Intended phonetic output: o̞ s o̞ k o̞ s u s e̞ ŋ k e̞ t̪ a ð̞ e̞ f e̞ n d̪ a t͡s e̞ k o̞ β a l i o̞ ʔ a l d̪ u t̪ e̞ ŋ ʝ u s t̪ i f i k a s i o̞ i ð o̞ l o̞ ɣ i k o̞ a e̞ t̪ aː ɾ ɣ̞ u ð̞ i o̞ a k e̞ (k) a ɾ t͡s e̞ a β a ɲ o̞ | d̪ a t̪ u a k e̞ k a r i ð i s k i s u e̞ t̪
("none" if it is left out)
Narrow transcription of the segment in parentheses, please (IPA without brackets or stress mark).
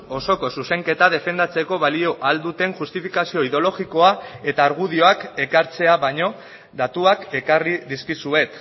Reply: k